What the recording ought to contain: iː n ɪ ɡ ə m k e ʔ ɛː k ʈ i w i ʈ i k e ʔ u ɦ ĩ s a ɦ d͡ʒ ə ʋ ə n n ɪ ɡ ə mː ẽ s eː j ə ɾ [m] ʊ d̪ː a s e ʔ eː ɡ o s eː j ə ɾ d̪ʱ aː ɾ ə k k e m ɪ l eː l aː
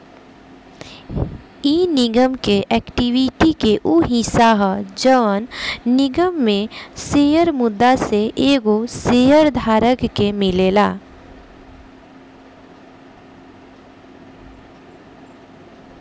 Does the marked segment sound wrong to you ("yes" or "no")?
no